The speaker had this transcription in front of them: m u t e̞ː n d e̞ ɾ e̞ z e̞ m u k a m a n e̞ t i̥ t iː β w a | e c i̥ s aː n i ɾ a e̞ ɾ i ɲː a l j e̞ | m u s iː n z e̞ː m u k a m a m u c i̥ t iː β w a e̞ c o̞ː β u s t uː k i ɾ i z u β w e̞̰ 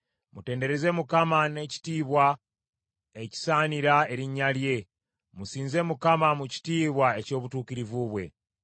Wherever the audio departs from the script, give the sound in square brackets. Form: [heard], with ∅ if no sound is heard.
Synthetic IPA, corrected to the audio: m u t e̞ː n d e̞ ɾ e̞ z e̞ m u k a m a n e̞ [c] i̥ t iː β w a | e c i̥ s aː n i ɾ a e̞ ɾ i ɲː a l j e̞ | m u s iː n z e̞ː m u k a m a m u c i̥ t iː β w a e̞ c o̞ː β u [∅] t uː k i ɾ i [v] u β w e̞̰